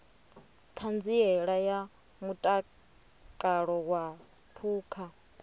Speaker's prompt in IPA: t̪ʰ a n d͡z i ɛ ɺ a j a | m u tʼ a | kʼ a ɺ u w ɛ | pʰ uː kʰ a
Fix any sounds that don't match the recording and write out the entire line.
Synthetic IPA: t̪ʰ a n d͡z i ɛ ɺ a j a | m u tʼ a | kʼ a ɺ ɔ w a | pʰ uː kʰ a